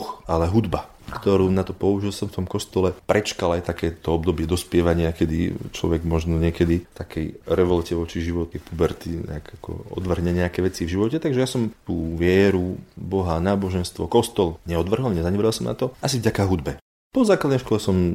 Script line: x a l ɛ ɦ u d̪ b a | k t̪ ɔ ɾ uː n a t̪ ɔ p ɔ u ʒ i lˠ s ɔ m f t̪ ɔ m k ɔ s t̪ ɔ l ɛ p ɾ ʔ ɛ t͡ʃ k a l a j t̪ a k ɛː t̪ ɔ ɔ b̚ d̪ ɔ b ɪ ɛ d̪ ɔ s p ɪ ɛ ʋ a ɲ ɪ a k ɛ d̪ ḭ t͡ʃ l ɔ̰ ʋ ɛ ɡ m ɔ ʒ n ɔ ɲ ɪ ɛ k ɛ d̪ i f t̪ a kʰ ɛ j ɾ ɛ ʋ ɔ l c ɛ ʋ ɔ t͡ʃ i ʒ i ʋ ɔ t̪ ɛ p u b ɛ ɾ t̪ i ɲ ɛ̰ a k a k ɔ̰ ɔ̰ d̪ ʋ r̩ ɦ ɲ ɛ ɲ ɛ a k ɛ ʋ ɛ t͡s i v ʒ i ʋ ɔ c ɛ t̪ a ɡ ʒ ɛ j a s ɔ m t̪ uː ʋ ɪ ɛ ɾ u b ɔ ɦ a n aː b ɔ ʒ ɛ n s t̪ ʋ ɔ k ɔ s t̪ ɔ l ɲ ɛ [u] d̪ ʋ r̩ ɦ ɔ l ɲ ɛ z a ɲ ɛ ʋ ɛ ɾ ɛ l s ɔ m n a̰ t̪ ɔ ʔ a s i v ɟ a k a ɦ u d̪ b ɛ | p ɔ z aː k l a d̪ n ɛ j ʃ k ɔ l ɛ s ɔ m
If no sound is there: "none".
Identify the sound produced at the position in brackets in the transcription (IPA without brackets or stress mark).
ɔ